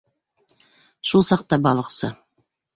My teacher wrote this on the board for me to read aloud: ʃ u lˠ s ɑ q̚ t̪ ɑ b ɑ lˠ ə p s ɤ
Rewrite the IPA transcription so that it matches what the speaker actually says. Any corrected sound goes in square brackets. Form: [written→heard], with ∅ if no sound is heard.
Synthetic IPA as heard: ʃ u lˠ s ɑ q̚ t̪ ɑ b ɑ lˠ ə [p→q] s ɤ

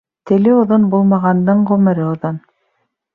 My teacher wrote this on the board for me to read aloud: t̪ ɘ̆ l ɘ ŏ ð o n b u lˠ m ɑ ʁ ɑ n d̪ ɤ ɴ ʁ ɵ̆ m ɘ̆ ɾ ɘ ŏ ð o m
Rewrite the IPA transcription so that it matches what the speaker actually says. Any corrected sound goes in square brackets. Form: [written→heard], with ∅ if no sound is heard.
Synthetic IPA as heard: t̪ ɘ̆ l ɘ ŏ ð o n b u lˠ m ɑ ʁ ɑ n d̪ ɤ ɴ ʁ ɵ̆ m ɘ̆ ɾ ɘ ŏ ð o [m→n]

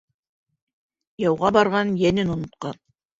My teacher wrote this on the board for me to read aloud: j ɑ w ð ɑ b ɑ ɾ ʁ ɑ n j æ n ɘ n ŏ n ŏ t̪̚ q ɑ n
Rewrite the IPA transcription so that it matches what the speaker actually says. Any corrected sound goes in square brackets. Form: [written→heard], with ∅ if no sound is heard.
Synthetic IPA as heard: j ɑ w [ð→ʁ] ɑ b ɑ ɾ ʁ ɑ n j æ n ɘ n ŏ n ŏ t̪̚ q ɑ n

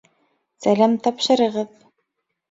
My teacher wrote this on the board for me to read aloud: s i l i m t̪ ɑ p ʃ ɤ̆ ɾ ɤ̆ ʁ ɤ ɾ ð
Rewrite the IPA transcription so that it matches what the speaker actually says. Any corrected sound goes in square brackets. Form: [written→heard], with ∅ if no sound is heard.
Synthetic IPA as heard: s [i→æ] l [i→æ] m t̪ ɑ p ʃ ɤ̆ ɾ ɤ̆ ʁ ɤ [ɾ→∅] ð

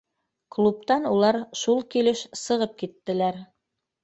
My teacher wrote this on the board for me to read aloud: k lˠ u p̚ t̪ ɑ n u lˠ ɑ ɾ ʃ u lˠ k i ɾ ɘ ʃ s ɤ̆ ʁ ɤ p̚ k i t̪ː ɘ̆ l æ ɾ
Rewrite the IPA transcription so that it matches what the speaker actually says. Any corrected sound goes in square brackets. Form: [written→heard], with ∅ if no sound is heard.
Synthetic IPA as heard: k lˠ u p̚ t̪ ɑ n u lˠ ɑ ɾ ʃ u lˠ k i [ɾ→l] ɘ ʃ s ɤ̆ ʁ ɤ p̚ k i t̪ː ɘ̆ l æ ɾ

